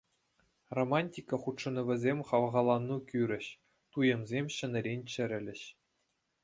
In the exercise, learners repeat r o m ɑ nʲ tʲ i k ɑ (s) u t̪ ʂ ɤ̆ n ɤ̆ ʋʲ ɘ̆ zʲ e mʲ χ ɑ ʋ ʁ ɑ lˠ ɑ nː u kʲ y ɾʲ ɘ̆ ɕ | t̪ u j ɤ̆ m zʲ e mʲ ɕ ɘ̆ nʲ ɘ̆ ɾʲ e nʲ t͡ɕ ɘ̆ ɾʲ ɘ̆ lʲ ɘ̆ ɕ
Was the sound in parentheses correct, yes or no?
no